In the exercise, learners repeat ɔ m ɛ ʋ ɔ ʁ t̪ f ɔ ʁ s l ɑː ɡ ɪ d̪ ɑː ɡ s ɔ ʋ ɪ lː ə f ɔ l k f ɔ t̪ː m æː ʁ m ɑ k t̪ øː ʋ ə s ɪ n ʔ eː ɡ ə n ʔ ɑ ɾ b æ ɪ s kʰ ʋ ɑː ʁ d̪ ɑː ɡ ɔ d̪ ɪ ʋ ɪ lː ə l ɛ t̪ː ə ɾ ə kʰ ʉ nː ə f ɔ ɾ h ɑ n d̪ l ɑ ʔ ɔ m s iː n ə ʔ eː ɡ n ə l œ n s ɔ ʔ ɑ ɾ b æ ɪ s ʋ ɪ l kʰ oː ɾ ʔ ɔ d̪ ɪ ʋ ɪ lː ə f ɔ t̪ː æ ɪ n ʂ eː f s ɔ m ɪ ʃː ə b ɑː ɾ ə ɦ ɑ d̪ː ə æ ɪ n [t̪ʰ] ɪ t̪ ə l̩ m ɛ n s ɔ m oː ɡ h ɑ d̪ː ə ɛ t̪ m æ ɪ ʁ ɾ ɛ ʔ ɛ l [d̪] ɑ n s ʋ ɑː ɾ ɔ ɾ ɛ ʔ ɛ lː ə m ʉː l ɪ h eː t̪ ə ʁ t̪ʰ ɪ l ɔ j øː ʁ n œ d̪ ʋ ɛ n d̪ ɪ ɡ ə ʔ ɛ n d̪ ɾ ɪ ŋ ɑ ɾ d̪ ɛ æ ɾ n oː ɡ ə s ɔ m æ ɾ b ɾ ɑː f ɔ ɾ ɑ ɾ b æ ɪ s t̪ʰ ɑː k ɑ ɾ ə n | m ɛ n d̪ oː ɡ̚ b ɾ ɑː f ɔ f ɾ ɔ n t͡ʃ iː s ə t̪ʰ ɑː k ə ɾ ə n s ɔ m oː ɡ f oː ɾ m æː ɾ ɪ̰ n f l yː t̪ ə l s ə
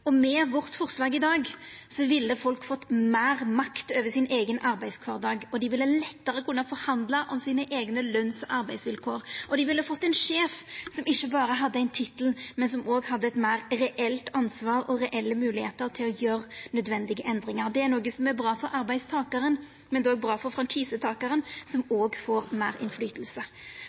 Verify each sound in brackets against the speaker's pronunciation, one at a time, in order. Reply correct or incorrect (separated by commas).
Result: correct, incorrect